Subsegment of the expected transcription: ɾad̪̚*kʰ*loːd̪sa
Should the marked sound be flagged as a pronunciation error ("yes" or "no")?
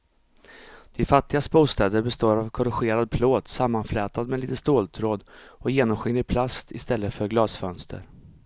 yes